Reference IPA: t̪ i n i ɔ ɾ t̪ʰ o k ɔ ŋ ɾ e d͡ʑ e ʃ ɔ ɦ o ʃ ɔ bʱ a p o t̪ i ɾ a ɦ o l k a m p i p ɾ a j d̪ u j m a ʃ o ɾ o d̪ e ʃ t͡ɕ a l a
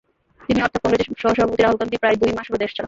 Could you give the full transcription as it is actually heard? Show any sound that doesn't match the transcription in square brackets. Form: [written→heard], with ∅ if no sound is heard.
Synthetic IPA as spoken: t̪ i n i ɔ ɾ t̪ʰ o k ɔ ŋ ɾ e d͡ʑ e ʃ ɔ ɦ o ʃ ɔ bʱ a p o t̪ i ɾ a ɦ o l k a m p i p ɾ a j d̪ u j m a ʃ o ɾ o d̪ e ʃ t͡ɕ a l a